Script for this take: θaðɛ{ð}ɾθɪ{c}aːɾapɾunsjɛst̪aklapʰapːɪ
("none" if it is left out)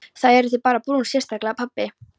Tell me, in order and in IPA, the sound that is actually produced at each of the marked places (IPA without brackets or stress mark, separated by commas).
none, p